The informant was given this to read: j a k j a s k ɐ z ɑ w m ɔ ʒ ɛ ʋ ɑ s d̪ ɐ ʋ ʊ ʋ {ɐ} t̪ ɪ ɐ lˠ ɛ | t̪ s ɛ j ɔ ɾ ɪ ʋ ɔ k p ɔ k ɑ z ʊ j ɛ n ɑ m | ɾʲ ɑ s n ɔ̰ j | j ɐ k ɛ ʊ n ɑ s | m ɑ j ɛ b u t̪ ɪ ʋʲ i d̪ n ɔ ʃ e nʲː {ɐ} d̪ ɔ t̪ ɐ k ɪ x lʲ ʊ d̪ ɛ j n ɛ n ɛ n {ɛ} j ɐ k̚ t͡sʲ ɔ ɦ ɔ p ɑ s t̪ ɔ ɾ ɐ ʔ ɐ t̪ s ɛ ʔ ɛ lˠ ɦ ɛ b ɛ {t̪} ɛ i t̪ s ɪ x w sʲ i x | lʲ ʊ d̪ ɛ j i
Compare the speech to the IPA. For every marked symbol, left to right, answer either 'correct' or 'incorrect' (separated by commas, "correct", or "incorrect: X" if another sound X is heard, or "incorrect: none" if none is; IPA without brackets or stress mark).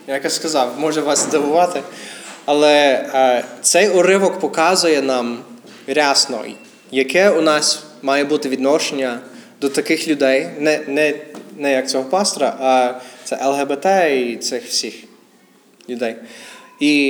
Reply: incorrect: ɑ, correct, correct, correct